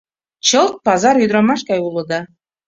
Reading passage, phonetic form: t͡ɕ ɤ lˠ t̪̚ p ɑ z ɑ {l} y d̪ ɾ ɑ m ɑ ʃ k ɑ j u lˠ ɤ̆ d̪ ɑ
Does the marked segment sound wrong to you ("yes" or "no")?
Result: yes